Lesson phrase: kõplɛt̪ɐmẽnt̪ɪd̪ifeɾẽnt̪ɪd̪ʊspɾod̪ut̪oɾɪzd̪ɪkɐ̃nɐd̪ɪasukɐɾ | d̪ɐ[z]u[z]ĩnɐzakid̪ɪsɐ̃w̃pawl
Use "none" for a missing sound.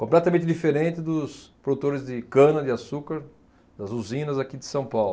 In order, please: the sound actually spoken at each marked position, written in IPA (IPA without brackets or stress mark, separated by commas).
z, z